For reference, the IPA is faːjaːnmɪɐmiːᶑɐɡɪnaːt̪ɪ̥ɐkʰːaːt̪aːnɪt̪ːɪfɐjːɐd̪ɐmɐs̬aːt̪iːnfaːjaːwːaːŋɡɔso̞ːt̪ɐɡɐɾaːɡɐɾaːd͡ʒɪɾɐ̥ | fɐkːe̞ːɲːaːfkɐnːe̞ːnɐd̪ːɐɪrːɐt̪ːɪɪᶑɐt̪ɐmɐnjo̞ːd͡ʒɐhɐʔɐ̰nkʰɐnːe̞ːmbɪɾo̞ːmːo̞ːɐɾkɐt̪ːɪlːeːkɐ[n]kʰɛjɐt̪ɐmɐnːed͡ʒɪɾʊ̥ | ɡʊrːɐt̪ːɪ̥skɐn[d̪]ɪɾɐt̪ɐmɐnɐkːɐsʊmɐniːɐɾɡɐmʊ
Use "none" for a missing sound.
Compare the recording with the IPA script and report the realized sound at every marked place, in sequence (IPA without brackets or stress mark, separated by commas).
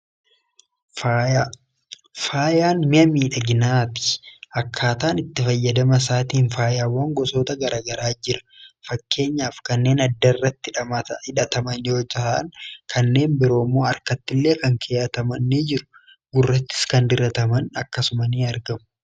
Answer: ŋ, d̪